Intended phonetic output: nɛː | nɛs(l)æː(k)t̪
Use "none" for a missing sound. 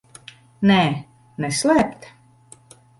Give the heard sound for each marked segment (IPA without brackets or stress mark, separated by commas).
l, p